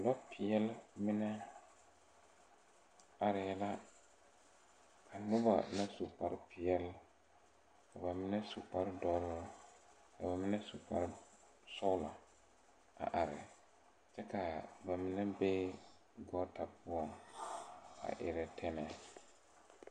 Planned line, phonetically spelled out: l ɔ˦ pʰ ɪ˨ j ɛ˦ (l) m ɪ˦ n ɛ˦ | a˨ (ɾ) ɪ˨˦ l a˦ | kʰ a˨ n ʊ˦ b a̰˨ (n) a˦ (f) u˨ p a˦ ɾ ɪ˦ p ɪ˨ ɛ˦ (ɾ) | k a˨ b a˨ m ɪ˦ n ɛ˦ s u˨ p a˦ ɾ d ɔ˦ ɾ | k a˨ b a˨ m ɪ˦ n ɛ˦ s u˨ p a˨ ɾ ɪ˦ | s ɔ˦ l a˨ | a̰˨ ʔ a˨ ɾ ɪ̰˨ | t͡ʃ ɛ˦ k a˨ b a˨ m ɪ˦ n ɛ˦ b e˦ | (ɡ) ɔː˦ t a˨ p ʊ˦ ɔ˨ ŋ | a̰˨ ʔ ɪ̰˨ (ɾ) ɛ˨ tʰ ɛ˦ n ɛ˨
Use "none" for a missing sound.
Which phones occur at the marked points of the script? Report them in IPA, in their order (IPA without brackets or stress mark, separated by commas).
l, ɾ, n, s, l, ɡ, ɾ